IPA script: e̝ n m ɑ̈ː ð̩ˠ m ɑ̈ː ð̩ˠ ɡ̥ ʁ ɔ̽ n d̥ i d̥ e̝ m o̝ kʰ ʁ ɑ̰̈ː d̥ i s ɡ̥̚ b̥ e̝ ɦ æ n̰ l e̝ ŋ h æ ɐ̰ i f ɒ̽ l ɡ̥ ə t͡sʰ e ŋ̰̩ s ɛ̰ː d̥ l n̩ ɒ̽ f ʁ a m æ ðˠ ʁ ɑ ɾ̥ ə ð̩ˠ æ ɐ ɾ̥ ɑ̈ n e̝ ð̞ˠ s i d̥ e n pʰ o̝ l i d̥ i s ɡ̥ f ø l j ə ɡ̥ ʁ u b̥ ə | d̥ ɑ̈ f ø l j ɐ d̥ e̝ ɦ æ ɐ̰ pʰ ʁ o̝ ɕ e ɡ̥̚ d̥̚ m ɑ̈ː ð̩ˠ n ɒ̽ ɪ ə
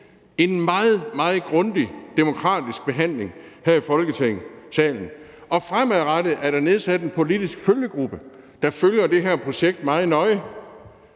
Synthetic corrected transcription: e̝ n m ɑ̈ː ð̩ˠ m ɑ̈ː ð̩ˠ ɡ̥ ʁ ɔ̽ n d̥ i d̥ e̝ m o̝ kʰ ʁ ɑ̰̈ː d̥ i s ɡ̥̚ b̥ e̝ ɦ æ n̰ l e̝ ŋ h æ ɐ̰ i f ɒ̽ l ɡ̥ ə t͡sʰ e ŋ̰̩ s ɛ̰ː l n̩ ɒ̽ f ʁ a m æ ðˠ ʁ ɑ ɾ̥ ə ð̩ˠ æ ɐ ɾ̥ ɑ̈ n e̝ ð̞ˠ s æ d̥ e n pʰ o̝ l i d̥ i s ɡ̥ f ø l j ə ɡ̥ ʁ u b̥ ə | d̥ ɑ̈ f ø l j ɐ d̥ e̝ ɦ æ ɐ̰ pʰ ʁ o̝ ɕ e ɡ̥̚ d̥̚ m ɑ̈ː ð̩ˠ n ɒ̽ ɪ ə